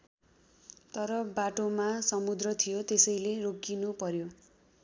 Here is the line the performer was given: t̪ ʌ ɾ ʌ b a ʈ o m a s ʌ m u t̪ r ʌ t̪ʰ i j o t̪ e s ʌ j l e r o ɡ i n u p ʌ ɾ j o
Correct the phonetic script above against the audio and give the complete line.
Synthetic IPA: t̪ ʌ ɾ ʌ b a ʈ o m a s ʌ m u d̪ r ʌ t̪ʰ i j o t̪ e s ʌ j l e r o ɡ i n u p ʌ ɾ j o